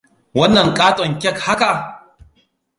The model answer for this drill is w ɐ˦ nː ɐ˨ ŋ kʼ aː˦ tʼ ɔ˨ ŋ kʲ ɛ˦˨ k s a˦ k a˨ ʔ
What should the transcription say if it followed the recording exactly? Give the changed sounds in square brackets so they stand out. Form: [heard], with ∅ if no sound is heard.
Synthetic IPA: w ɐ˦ nː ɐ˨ ŋ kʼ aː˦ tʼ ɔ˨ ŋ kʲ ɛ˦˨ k [h] a˦ k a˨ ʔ